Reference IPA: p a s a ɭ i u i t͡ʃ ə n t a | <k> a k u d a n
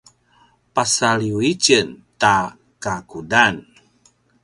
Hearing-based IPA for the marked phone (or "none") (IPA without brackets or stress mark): k